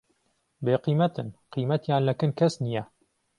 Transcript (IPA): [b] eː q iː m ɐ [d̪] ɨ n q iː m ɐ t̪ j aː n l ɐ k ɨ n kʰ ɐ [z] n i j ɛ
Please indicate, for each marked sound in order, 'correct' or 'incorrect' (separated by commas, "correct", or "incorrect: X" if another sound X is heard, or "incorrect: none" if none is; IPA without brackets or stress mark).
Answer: correct, incorrect: t̪, incorrect: s